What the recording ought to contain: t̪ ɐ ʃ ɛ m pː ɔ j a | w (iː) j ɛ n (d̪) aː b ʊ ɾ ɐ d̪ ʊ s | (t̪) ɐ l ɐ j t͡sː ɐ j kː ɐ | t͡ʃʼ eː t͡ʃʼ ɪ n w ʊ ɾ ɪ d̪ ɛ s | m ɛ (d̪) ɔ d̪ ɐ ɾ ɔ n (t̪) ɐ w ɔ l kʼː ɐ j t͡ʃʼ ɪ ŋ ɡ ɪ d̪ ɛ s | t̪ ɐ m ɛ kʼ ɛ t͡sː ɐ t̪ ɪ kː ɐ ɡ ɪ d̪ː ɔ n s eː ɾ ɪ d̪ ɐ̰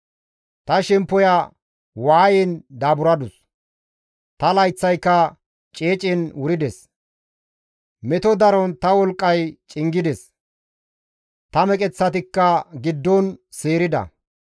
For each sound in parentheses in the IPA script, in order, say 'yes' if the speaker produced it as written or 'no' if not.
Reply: no, yes, yes, no, yes

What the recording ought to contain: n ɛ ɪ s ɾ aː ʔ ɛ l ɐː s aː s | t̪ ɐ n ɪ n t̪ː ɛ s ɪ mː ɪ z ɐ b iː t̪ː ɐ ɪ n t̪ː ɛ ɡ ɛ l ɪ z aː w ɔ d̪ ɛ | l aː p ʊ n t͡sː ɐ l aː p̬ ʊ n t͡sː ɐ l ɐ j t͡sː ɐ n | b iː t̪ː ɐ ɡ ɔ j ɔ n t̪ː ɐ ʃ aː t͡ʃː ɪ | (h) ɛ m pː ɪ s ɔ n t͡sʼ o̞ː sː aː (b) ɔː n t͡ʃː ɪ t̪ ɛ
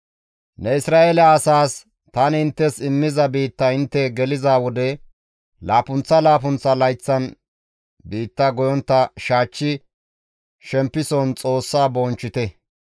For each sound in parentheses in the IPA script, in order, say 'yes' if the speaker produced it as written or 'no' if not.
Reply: no, yes

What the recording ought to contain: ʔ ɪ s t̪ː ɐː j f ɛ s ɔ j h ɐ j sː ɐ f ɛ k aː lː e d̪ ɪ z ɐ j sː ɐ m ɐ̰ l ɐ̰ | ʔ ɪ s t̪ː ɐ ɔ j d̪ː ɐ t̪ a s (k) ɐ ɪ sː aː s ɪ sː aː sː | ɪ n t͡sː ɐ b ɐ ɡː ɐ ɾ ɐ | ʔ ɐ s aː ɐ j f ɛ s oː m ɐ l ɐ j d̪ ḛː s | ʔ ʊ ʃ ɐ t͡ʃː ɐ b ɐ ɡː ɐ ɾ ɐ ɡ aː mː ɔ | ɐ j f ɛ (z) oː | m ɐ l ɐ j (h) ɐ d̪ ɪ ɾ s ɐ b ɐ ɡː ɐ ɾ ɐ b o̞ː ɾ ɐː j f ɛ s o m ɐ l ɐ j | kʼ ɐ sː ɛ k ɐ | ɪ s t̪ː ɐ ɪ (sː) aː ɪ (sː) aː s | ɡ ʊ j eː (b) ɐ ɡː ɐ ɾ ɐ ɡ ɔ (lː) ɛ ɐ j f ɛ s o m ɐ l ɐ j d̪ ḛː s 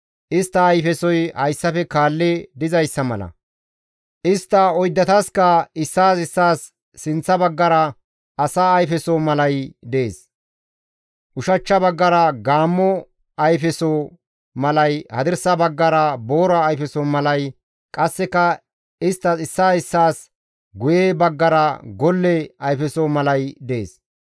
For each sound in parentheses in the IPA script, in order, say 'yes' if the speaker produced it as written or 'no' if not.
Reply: yes, no, yes, yes, yes, yes, yes

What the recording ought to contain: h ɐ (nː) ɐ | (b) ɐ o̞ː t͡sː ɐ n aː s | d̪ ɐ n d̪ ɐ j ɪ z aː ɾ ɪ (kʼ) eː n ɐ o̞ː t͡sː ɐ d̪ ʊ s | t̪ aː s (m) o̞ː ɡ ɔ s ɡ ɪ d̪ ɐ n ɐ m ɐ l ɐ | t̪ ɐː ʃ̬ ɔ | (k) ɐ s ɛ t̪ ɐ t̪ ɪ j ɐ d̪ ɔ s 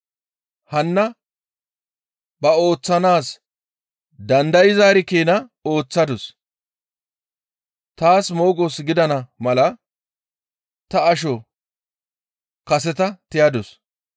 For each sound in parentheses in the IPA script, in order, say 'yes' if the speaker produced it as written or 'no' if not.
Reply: yes, yes, no, yes, yes

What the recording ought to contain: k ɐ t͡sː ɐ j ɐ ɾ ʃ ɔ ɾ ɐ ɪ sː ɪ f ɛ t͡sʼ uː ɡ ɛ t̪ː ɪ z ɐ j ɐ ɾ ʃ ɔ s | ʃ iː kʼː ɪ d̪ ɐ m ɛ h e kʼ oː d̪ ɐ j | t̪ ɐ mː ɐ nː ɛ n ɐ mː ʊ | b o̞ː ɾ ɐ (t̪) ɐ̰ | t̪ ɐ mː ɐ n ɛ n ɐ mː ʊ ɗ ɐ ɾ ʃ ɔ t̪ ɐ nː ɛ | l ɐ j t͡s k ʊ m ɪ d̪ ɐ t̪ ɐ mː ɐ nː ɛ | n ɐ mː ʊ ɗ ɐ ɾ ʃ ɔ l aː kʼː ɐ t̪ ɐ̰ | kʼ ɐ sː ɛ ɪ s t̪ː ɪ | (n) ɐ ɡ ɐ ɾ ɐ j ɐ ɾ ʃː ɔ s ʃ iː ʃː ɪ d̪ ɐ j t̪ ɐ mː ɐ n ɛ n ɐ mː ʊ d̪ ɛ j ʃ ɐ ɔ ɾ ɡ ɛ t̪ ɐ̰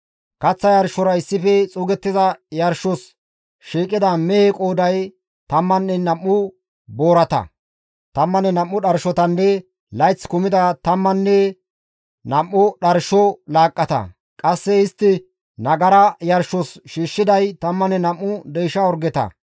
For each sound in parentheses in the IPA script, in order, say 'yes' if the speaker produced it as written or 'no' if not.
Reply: yes, yes

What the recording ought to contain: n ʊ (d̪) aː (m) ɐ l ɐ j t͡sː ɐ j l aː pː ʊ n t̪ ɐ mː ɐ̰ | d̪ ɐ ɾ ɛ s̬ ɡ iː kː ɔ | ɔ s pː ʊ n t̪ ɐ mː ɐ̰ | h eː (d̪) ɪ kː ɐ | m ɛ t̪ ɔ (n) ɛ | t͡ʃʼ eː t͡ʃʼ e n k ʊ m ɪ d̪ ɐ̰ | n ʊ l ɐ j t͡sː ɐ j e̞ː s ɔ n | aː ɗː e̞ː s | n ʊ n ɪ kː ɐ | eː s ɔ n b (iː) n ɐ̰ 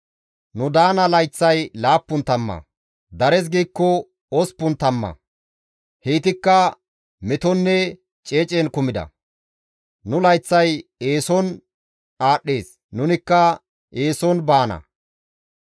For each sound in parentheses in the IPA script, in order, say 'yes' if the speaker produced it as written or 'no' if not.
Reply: yes, no, no, no, no

